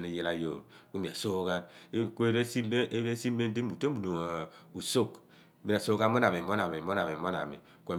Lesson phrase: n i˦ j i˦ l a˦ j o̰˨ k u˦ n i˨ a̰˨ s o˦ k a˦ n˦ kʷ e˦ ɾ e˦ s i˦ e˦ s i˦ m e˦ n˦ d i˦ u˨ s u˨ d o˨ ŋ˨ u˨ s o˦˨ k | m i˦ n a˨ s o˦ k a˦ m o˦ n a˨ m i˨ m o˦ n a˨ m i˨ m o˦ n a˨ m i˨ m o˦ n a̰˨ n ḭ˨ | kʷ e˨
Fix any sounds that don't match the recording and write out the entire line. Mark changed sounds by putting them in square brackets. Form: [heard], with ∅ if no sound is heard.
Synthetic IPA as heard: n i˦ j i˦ l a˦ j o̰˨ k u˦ [m] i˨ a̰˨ s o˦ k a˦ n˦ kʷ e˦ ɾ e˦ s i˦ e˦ s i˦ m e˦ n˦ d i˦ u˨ [t] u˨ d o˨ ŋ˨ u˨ s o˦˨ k | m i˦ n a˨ s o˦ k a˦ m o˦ n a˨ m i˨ m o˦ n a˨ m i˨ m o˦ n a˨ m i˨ m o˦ n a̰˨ [m] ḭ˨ | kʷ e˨